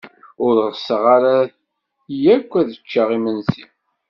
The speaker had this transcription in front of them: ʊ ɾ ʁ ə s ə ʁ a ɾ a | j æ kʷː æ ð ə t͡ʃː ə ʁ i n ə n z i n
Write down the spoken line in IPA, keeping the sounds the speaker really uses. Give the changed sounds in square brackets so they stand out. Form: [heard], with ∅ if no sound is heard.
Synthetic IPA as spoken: ʊ ɾ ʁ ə s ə ʁ a ɾ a | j æ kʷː æ ð ə t͡ʃː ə ʁ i [m] ə n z i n